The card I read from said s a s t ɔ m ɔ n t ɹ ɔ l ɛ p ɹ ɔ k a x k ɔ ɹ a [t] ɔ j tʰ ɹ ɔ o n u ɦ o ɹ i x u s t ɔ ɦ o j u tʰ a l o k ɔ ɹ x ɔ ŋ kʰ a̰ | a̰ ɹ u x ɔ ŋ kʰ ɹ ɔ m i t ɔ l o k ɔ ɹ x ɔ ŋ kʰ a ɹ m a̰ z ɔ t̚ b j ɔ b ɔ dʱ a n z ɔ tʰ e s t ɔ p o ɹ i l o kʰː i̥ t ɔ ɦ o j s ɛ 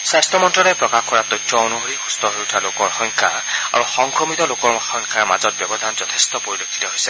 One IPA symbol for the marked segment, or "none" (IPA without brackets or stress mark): t